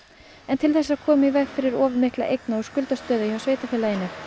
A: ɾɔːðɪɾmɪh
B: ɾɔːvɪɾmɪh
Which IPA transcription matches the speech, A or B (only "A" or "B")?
B